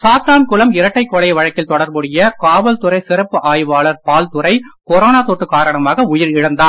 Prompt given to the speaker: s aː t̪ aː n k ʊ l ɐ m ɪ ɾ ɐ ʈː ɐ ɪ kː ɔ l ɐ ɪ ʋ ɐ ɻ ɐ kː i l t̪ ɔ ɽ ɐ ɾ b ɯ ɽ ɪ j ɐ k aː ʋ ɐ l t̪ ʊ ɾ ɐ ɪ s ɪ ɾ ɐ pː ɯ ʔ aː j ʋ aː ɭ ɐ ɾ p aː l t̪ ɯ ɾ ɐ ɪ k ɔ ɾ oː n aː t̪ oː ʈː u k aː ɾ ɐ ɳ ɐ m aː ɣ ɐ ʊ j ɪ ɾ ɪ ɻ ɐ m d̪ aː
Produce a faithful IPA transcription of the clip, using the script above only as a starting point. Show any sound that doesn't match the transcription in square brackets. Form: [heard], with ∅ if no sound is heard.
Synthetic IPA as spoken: s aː t̪ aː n k ʊ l ɐ m ɪ ɾ ɐ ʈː ɐ ɪ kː ɔ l ɐ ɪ ʋ ɐ ɻ ɐ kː [ɪ] l t̪ ɔ ɽ ɐ ɾ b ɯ ɽ ɪ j ɐ k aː ʋ ɐ l t̪ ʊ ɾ ɐ ɪ s ɪ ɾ ɐ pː ɯ ʔ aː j ʋ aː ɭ ɐ ɾ p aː l t̪ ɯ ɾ ɐ ɪ k ɔ ɾ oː n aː t̪ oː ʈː [ɯ] k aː ɾ ɐ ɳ ɐ m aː ɣ ɐ ʊ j ɪ ɾ ɪ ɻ ɐ [n] d̪ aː